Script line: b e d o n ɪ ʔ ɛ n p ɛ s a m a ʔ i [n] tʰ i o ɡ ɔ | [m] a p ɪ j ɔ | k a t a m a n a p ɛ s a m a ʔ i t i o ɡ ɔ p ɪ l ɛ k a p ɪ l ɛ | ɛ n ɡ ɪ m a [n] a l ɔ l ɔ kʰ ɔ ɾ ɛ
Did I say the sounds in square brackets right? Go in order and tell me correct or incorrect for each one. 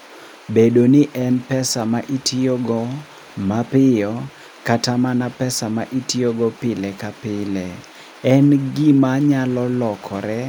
incorrect, correct, incorrect

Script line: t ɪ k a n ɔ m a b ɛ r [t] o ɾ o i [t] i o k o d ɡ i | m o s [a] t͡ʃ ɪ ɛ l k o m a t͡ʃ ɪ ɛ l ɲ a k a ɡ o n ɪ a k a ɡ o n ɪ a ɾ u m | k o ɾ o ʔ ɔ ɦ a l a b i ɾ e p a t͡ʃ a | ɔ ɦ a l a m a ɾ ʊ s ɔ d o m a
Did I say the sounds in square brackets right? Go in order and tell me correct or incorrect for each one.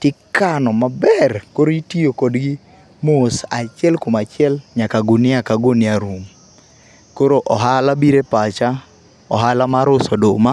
incorrect, correct, correct

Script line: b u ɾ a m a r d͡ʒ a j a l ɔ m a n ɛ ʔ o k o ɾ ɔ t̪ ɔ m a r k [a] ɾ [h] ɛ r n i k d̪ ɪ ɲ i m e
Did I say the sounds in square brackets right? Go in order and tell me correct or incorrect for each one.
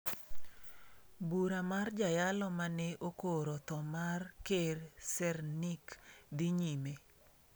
incorrect, incorrect

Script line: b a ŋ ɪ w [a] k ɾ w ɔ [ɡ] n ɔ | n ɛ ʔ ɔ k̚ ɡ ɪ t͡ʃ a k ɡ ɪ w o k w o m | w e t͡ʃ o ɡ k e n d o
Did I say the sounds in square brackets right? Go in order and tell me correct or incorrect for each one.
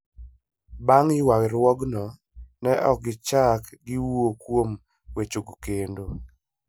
correct, correct

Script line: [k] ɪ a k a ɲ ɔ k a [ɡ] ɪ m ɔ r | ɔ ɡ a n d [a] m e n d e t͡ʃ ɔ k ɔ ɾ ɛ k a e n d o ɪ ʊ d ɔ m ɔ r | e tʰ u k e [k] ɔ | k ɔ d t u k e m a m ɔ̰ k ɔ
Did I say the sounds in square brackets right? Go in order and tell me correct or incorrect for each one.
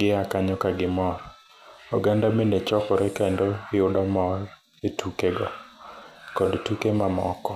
incorrect, correct, correct, incorrect

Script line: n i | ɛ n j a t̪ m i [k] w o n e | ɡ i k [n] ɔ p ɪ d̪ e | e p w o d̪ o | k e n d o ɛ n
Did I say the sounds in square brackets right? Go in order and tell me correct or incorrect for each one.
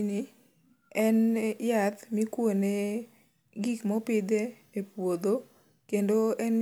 correct, incorrect

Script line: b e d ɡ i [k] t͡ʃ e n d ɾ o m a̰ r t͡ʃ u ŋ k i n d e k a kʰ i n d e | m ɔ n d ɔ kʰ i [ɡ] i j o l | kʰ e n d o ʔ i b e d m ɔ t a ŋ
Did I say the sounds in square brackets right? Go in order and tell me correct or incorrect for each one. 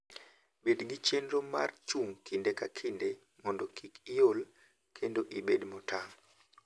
incorrect, incorrect

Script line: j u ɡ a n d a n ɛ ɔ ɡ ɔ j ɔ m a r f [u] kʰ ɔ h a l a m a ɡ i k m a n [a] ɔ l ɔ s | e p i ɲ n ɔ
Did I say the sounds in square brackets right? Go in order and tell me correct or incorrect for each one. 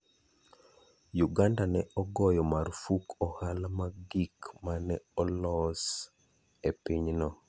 correct, incorrect

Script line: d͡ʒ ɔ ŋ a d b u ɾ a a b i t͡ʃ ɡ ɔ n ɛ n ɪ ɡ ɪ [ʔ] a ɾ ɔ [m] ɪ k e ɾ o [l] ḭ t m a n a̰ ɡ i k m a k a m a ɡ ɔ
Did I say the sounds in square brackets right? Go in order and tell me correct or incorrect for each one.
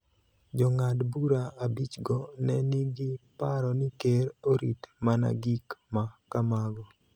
incorrect, incorrect, incorrect

